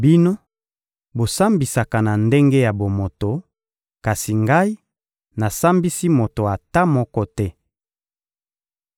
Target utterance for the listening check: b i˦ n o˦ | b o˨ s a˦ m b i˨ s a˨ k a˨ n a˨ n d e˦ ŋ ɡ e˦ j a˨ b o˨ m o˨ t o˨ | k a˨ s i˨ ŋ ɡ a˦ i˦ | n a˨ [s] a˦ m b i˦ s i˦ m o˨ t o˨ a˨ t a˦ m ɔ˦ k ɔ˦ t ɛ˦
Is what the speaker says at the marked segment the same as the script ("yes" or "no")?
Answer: yes